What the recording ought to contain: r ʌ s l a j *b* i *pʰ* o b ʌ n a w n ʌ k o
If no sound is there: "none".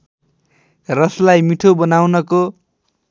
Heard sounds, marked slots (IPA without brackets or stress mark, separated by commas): m, ʈʰ